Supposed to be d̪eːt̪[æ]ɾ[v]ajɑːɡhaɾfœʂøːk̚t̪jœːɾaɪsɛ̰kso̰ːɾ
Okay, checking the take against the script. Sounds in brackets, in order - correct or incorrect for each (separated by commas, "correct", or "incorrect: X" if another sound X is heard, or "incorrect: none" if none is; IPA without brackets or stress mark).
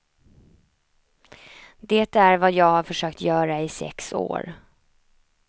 correct, correct